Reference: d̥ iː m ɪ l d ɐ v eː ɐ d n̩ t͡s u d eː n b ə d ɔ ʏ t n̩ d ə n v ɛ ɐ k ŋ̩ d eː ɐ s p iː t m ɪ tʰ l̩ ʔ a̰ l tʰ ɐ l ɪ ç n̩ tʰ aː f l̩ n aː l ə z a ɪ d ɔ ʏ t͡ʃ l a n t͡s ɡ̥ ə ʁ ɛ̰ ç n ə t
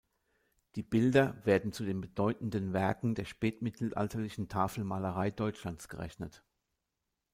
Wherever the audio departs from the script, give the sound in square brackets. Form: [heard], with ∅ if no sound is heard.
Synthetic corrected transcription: d̥ iː [b] ɪ l d ɐ v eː ɐ d n̩ t͡s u d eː n b ə d ɔ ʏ t n̩ d ə n v ɛ ɐ k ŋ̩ d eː ɐ [ʃ] p [ɛː] t m ɪ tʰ l̩ ʔ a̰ l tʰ ɐ l ɪ ç n̩ tʰ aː f l̩ [m] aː l ə [ʁ] a ɪ d ɔ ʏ t͡ʃ l a n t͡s ɡ̥ ə ʁ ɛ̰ ç n ə t